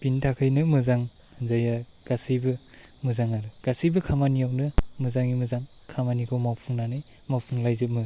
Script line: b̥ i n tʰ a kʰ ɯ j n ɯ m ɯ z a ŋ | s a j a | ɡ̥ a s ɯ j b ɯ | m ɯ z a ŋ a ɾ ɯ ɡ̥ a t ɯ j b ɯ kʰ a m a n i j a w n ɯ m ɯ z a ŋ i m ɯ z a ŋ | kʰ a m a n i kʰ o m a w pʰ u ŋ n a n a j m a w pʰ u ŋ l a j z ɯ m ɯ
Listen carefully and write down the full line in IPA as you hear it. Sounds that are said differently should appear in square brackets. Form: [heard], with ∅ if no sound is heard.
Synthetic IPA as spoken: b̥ i n tʰ a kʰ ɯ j n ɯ m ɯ z a ŋ | [z] a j a | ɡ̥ a s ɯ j b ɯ | m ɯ z a ŋ a ɾ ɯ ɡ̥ a [s] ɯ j b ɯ kʰ a m a n i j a w n ɯ m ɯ z a ŋ i m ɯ z a ŋ | kʰ a m a n i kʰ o m a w pʰ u ŋ n a n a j m a w pʰ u ŋ l a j z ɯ m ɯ